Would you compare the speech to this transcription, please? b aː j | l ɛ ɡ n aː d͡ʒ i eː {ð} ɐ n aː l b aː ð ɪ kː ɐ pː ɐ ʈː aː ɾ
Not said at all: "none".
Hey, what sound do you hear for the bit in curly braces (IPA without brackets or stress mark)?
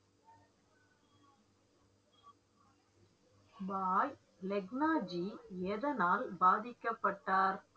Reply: ð